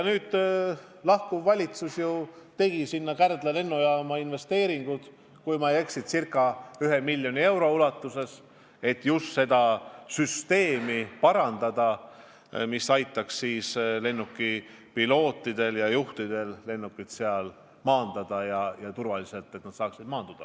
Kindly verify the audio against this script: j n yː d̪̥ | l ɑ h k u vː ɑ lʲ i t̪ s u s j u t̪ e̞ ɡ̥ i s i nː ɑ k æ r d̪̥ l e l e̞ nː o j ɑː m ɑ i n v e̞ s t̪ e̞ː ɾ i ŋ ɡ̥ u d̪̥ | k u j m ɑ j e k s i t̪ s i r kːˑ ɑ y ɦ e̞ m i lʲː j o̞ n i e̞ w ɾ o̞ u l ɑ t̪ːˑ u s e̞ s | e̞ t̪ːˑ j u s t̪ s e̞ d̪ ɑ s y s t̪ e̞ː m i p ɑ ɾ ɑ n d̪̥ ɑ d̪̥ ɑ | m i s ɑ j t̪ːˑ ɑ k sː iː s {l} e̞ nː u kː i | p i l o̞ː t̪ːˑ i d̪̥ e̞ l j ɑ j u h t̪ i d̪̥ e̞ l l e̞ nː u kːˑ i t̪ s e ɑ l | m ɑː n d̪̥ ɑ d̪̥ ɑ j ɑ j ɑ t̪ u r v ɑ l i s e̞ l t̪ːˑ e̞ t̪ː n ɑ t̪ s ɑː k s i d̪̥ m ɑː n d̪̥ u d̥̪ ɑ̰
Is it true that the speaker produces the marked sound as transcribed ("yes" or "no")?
yes